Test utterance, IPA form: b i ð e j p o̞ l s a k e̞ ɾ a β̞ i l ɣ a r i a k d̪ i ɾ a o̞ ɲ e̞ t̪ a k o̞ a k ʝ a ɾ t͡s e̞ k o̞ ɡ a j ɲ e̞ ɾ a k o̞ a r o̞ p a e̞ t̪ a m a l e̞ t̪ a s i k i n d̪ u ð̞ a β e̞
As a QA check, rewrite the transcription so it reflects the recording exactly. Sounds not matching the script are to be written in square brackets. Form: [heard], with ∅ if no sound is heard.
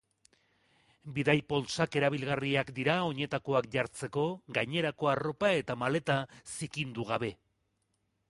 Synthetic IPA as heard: b i ð [a] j p o̞ l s a k e̞ ɾ a β̞ i l ɣ a r i a k d̪ i ɾ a o̞ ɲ e̞ t̪ a k o̞ a k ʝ a ɾ t͡s e̞ k o̞ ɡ a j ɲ e̞ ɾ a k o̞ a r o̞ p a e̞ t̪ a m a l e̞ t̪ a s i k i n d̪ u [ɣ̞] a β e̞